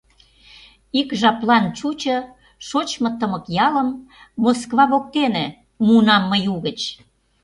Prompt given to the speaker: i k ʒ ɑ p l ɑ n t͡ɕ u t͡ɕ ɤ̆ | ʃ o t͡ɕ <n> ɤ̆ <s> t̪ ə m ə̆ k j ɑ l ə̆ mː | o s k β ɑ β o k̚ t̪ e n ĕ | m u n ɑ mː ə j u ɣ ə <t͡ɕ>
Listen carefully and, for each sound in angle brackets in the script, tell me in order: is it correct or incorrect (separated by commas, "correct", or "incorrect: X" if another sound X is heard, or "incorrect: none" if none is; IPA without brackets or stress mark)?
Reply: incorrect: m, incorrect: none, correct